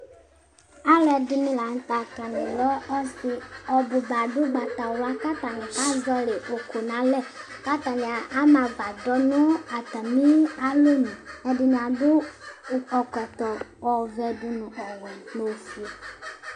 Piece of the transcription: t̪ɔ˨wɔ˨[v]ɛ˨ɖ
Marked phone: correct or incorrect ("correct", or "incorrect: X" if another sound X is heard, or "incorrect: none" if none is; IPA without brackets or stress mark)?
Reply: correct